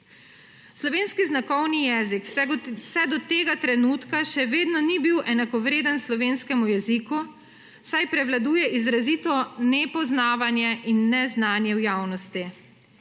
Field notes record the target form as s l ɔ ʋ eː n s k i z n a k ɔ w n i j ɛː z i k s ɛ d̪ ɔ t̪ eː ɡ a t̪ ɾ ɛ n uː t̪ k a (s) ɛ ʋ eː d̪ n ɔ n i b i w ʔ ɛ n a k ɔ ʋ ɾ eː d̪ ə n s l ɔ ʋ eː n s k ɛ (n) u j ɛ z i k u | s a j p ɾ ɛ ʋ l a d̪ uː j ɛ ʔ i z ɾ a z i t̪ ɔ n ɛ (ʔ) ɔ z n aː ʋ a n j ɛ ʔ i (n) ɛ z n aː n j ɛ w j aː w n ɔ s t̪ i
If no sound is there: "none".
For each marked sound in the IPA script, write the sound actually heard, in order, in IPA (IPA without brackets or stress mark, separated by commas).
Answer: ʃ, m, p, nː